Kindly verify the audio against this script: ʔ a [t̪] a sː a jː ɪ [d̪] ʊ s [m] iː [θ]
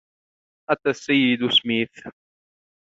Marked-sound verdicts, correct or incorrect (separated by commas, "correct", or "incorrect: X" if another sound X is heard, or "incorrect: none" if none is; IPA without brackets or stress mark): correct, correct, correct, correct